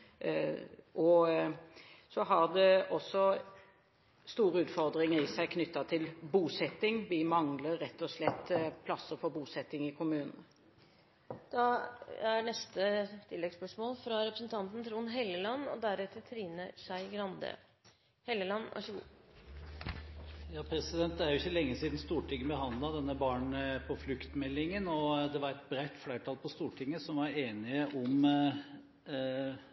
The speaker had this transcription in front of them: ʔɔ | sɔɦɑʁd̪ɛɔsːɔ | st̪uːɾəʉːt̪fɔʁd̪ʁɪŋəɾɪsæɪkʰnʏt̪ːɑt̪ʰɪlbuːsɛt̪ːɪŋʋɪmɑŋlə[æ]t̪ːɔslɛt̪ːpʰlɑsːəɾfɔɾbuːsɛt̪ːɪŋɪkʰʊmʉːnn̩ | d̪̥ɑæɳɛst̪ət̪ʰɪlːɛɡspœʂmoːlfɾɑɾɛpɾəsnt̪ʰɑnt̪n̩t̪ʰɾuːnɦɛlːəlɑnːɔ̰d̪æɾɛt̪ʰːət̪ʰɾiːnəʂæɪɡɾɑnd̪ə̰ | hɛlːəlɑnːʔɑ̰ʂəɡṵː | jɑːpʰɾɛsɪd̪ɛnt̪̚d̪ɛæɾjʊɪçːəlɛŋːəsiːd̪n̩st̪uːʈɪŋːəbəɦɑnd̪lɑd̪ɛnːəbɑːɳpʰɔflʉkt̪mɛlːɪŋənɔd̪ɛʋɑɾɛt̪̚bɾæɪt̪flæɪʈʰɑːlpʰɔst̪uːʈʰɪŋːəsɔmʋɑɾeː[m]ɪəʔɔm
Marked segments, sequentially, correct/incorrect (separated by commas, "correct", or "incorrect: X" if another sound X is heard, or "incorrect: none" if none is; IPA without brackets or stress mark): incorrect: ɛ, incorrect: n